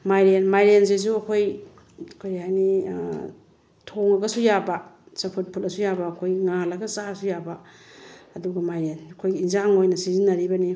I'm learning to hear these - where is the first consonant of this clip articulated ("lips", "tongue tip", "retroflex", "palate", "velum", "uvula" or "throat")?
lips